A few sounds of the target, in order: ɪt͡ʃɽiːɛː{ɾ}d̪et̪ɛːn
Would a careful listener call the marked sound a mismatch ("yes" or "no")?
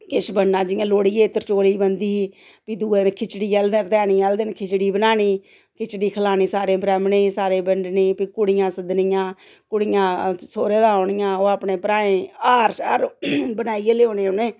yes